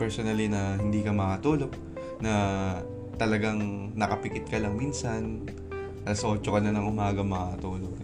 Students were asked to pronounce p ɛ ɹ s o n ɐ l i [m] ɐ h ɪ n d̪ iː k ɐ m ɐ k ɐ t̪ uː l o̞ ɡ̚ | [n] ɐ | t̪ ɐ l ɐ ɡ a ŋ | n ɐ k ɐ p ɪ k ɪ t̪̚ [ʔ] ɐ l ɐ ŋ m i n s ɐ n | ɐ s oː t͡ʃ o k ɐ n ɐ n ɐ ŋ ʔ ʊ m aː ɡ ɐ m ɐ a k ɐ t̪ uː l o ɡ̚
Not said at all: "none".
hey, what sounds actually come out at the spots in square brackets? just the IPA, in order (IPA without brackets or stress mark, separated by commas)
n, n, k